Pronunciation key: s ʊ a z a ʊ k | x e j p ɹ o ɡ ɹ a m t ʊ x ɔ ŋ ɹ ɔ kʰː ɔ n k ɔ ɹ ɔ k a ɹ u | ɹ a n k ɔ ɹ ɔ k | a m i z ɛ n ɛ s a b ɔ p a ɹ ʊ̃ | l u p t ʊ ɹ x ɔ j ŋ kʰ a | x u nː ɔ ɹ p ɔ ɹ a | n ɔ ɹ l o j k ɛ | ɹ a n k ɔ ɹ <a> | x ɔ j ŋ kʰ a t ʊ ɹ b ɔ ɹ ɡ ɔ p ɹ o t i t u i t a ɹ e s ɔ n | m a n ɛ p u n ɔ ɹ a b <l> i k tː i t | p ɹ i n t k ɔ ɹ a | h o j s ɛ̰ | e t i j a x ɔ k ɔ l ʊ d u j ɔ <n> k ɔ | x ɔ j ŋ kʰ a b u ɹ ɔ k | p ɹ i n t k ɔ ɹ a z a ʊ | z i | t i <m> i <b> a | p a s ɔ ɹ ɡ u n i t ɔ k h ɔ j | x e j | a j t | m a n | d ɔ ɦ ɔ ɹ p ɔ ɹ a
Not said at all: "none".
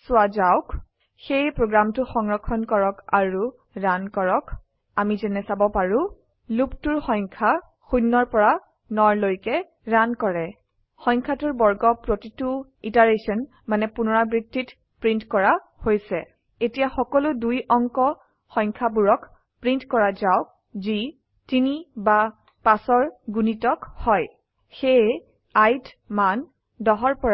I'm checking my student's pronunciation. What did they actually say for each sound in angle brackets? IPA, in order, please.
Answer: ɛ, ɹ, ŋ, n, b

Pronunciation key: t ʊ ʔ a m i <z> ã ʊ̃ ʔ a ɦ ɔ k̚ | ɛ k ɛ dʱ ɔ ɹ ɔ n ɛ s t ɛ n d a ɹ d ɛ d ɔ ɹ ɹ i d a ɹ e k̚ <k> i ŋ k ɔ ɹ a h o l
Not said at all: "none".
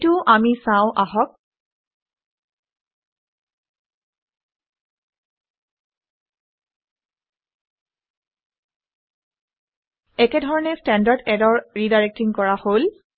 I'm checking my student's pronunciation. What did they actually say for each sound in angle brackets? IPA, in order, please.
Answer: s, t

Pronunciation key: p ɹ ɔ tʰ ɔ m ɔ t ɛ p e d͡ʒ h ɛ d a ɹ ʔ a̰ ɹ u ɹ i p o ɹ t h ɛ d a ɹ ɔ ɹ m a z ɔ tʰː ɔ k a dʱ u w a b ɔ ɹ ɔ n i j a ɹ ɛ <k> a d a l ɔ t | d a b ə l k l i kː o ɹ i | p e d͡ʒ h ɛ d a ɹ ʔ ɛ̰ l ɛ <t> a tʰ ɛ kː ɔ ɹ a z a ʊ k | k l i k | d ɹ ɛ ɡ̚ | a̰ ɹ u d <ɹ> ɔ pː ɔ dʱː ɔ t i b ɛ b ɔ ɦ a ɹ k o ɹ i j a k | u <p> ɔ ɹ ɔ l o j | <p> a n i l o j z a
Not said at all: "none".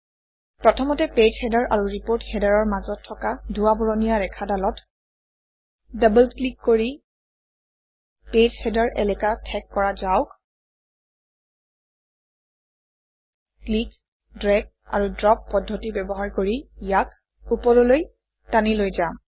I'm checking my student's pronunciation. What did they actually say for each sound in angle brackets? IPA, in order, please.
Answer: kʰ, k, ɹ, p, t

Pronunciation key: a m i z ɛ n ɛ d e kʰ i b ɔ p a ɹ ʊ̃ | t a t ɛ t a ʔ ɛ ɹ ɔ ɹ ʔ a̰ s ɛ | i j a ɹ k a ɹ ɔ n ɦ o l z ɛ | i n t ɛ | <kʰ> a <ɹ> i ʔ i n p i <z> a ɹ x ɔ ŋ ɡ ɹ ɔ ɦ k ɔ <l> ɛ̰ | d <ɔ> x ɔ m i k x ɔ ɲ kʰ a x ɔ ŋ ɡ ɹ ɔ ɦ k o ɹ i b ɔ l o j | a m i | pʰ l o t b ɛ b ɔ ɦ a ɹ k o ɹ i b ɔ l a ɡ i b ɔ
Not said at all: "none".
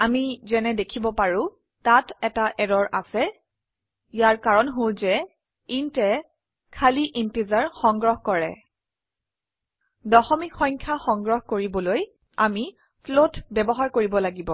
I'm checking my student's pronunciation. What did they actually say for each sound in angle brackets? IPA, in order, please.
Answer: kʰ, l, z, ɹ, ɔ

